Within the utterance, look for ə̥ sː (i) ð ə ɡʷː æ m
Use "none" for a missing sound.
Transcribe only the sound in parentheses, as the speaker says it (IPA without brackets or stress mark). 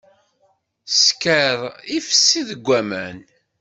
i